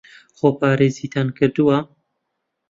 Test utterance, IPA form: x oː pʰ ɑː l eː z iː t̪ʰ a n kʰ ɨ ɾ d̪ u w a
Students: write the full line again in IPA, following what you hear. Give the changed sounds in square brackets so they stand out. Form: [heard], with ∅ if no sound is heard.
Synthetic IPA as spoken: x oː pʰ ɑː [ɾ] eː z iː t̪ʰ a n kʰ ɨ ɾ d̪ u w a